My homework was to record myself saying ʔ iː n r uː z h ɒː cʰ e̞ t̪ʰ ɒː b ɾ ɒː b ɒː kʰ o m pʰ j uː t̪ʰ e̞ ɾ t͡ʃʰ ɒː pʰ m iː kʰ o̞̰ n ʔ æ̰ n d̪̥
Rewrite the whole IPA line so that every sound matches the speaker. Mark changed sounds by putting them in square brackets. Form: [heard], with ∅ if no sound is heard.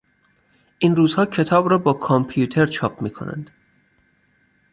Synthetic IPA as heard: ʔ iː n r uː z h ɒː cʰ e̞ t̪ʰ ɒː b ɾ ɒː b ɒː kʰ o m pʰ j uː t̪ʰ e̞ ɾ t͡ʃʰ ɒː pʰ m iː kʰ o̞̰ n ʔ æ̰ n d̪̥